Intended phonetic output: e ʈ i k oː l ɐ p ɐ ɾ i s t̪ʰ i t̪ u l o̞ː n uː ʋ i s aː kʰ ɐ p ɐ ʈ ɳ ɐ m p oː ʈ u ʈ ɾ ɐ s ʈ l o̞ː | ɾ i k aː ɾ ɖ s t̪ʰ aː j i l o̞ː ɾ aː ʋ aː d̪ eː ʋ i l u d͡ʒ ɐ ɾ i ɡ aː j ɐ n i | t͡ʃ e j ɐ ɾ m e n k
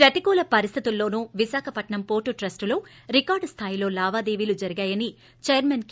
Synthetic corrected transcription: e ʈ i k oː l ɐ p ɐ ɾ i s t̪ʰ i t̪ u lː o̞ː n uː ʋ i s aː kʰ ɐ p ɐ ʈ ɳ ɐ m p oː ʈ u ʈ ɾ ɐ s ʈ l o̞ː | ɾ i k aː ɾ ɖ s t̪ʰ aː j i l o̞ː l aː ʋ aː d̪ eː ʋ i l u d͡ʒ ɐ ɾ i ɡ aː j ɐ n i | t͡ʃ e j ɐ ɾ m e n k